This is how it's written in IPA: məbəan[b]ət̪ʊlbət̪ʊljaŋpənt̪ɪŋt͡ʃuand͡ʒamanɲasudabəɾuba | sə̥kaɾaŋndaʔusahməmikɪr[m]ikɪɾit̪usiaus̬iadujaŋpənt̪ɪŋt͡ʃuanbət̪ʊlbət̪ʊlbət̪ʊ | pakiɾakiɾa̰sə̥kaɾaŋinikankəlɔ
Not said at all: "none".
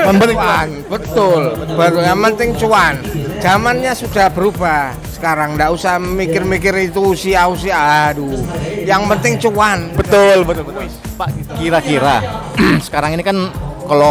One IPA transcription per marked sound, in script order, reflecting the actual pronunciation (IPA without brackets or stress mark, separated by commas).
b, m